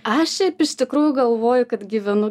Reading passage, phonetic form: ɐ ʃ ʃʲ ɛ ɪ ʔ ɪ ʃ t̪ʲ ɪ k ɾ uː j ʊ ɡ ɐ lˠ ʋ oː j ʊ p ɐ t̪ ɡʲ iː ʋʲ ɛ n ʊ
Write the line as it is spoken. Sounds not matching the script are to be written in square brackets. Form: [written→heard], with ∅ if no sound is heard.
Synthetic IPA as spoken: ɐ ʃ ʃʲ ɛ ɪ [ʔ→p] ɪ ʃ t̪ʲ ɪ k ɾ uː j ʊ ɡ ɐ lˠ ʋ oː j ʊ [p→k] ɐ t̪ ɡʲ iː ʋʲ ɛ n ʊ